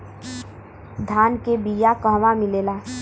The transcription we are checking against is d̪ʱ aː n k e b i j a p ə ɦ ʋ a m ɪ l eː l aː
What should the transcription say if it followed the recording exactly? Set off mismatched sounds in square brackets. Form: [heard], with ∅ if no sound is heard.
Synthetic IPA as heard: d̪ʱ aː n k e b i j a [k] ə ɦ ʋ a m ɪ l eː l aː